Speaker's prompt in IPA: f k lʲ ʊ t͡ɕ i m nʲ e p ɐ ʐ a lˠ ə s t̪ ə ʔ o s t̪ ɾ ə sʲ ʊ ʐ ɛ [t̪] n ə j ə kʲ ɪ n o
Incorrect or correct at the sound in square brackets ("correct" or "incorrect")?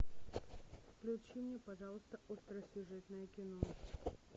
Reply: correct